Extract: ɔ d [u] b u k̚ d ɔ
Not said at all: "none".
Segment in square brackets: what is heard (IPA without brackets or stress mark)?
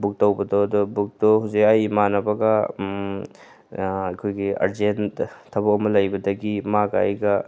ɔ